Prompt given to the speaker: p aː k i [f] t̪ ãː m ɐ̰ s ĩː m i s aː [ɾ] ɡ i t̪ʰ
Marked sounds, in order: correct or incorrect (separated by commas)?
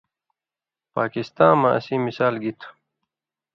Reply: incorrect, incorrect